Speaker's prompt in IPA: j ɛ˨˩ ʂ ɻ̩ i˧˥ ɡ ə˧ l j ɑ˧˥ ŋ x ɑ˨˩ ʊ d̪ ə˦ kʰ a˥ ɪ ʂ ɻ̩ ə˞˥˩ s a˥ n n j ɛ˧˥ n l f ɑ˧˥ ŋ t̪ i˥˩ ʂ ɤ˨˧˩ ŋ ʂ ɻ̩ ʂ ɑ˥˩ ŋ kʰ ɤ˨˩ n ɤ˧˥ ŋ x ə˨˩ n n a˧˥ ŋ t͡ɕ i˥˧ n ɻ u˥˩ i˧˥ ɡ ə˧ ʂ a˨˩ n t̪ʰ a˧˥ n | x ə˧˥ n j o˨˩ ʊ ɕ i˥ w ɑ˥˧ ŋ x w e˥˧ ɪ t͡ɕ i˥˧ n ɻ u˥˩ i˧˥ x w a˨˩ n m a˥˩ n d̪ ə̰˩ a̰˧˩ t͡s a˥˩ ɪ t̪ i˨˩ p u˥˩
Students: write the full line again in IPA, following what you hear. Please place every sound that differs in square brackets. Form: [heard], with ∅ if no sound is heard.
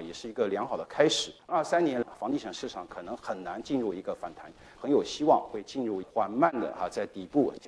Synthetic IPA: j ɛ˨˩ ʂ ɻ̩ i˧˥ ɡ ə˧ l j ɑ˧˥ ŋ x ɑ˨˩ ʊ d̪ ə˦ kʰ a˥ ɪ ʂ ɻ̩ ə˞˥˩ s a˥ n n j ɛ˧˥ n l f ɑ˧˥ ŋ t̪ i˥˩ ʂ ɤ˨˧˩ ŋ ʂ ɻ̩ ʂ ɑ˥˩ ŋ kʰ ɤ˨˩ n ɤ˧˥ ŋ x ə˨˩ n n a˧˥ [n] t͡ɕ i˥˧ n ɻ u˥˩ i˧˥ ɡ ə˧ [f] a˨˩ n t̪ʰ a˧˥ n | x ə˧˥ n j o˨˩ ʊ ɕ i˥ w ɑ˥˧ ŋ x w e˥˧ ɪ t͡ɕ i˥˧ n ɻ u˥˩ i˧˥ x w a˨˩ n m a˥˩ n d̪ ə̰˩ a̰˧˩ t͡s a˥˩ ɪ t̪ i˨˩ p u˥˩